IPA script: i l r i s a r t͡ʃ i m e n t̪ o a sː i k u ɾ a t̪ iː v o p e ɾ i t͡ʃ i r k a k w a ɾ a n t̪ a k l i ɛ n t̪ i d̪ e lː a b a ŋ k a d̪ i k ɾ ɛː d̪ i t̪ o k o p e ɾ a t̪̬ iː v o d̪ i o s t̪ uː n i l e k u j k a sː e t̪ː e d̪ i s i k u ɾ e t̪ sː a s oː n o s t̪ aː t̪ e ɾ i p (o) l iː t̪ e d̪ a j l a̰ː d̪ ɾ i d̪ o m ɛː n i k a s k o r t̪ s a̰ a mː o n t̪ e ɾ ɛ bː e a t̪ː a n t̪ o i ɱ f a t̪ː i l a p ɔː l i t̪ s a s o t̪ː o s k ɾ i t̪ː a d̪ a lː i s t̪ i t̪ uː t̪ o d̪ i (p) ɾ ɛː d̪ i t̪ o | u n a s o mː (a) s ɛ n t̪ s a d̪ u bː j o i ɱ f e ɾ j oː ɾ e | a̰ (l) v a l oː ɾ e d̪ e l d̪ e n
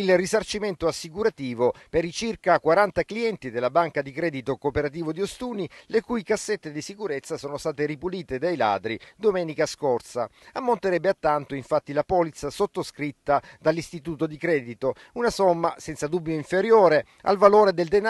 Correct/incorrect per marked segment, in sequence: incorrect: u, incorrect: k, correct, correct

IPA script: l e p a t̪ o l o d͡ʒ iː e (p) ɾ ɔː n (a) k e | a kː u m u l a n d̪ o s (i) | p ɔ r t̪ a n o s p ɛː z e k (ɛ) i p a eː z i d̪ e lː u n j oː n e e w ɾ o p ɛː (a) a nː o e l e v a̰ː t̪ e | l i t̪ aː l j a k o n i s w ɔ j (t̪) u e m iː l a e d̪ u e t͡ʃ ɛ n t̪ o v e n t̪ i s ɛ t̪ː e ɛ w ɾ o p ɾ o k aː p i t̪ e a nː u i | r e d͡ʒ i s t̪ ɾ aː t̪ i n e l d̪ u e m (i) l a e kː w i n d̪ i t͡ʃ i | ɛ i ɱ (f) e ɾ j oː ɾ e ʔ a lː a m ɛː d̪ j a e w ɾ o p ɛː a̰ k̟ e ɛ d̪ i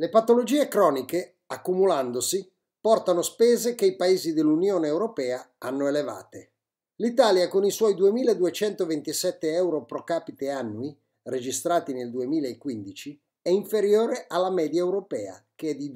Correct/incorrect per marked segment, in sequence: incorrect: k, incorrect: i, correct, incorrect: e, correct, incorrect: d̪, incorrect: iː, correct

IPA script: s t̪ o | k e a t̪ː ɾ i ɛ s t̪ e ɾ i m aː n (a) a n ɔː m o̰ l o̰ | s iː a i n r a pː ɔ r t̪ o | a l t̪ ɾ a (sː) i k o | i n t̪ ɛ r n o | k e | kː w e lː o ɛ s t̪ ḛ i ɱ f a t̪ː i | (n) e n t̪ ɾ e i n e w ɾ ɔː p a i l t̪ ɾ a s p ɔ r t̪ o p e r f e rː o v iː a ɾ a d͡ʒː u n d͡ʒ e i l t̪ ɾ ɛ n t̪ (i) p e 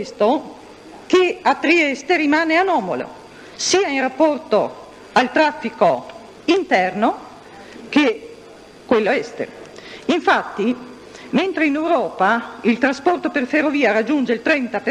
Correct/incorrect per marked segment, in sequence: incorrect: e, incorrect: fː, incorrect: m, incorrect: a

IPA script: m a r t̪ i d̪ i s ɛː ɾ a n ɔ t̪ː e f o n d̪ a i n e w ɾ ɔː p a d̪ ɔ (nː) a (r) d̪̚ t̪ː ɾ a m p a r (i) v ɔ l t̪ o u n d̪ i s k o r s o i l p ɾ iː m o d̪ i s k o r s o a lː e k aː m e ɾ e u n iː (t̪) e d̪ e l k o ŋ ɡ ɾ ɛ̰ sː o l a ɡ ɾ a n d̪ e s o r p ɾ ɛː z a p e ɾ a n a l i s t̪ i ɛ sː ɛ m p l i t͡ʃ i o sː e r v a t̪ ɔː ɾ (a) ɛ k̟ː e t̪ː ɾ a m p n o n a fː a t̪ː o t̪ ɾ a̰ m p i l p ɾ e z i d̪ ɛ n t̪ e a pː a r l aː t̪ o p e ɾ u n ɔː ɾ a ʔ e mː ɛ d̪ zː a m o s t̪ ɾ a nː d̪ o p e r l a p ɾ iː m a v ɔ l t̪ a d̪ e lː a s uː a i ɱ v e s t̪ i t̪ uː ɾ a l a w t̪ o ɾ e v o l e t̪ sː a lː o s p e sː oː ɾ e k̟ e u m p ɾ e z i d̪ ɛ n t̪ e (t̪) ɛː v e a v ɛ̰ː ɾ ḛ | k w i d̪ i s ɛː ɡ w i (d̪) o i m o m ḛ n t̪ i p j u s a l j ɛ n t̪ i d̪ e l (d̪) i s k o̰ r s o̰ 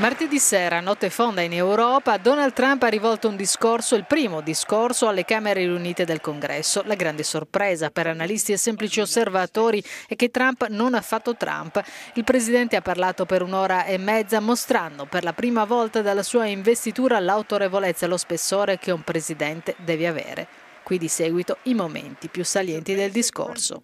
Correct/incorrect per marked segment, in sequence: incorrect: n, incorrect: l, correct, correct, incorrect: i, incorrect: d̪, incorrect: t̪, correct

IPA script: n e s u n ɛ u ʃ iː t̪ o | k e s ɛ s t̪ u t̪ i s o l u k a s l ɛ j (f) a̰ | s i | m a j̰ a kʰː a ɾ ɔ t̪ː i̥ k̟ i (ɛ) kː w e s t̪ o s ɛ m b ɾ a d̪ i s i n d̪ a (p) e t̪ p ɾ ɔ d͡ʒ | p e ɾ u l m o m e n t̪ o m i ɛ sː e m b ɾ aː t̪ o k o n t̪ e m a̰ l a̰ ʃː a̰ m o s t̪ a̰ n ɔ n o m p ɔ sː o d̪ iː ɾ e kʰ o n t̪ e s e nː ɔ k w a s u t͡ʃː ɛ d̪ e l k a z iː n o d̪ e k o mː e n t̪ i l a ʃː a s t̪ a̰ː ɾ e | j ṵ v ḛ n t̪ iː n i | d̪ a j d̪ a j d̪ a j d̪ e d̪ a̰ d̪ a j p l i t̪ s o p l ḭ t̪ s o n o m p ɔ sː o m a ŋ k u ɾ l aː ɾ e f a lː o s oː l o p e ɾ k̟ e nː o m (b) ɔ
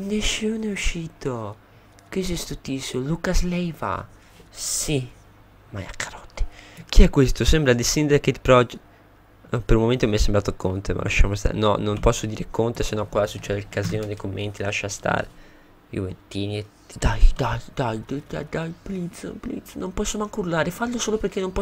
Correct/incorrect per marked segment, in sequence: incorrect: v, correct, incorrect: k, incorrect: p

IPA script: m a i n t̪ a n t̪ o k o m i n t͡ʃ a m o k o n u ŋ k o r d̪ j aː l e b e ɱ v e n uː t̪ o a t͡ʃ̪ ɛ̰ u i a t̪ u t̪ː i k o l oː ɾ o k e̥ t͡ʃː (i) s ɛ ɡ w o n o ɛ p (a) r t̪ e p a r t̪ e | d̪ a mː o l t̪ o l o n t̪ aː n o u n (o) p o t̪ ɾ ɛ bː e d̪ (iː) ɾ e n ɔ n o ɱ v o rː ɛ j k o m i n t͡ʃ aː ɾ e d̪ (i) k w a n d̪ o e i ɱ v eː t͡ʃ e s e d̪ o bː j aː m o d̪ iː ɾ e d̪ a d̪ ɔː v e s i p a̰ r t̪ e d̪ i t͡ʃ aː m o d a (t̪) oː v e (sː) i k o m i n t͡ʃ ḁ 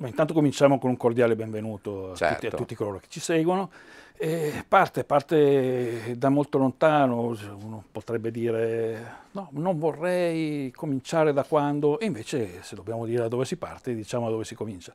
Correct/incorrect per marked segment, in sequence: correct, correct, correct, correct, incorrect: a, incorrect: d̪, incorrect: s

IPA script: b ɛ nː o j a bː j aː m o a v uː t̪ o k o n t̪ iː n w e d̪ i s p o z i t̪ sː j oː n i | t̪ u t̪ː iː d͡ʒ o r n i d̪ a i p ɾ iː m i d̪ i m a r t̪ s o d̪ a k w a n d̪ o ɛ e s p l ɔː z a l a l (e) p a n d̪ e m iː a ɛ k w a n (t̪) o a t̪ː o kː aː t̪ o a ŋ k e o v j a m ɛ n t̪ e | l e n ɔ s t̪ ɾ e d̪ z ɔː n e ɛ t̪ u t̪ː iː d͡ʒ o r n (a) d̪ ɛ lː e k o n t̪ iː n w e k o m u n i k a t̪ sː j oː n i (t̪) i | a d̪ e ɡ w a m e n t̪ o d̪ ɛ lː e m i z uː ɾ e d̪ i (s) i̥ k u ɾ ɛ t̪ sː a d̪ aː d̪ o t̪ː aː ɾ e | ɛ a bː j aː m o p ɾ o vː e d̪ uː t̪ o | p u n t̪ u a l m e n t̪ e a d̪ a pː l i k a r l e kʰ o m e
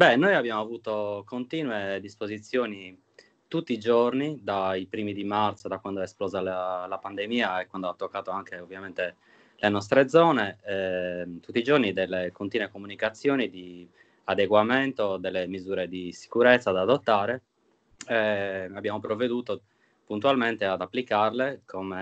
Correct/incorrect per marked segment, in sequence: incorrect: a, incorrect: d̪, incorrect: i, incorrect: d̪, correct

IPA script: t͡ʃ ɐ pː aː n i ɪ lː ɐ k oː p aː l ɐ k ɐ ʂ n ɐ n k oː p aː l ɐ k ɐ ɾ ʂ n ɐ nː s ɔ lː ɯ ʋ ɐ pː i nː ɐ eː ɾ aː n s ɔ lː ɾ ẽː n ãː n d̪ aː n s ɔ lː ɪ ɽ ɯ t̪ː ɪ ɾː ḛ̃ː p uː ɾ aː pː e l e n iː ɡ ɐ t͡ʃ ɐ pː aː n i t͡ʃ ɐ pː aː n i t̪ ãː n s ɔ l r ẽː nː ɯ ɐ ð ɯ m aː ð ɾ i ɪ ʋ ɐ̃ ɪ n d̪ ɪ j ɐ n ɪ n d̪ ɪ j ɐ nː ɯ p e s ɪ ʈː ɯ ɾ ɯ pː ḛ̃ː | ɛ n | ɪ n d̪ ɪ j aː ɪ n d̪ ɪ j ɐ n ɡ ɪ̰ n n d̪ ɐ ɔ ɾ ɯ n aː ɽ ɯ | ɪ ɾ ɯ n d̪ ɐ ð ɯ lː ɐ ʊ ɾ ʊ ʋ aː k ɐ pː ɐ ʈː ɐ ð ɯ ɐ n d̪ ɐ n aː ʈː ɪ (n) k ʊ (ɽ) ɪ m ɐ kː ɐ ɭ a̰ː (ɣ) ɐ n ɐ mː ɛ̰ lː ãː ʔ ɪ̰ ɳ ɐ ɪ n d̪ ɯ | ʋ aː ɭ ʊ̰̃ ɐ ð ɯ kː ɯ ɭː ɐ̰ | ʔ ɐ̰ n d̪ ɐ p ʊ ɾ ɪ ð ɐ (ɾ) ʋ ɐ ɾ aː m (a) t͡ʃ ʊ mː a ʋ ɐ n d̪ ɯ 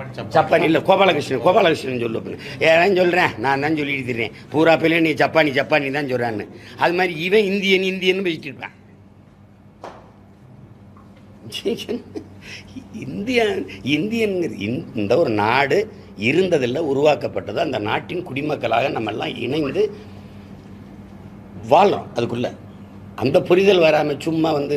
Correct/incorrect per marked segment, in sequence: correct, correct, correct, incorrect: l, incorrect: ɐ

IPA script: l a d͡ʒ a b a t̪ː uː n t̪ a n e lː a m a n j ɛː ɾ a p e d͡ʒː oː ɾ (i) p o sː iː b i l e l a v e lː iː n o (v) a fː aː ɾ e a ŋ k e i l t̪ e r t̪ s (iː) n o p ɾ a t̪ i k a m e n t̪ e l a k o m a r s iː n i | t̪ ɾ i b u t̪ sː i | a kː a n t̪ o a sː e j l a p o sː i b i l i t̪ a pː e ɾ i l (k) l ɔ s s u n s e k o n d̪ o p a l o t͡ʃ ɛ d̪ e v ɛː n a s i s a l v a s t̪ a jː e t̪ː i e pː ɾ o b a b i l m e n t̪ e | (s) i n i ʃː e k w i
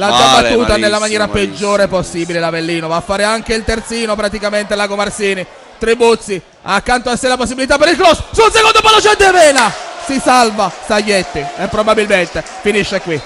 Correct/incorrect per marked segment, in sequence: incorrect: e, correct, correct, correct, incorrect: f

